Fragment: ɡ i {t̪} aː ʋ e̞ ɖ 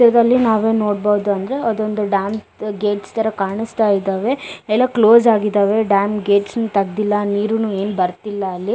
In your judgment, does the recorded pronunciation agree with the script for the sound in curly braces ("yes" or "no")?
no